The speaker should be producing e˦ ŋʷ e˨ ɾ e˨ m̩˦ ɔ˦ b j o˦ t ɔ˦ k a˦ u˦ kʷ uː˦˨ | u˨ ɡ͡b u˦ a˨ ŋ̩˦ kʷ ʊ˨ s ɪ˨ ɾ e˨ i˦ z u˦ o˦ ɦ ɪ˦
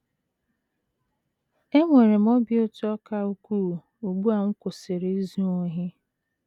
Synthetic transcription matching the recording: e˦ ŋʷ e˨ ɾ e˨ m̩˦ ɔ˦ b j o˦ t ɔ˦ k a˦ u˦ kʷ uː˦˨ | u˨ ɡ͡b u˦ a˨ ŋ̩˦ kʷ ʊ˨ s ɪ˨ ɾ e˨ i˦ z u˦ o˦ ɦ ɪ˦